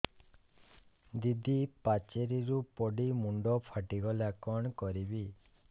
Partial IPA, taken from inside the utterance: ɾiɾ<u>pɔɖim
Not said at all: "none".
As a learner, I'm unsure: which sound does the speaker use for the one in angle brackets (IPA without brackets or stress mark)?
u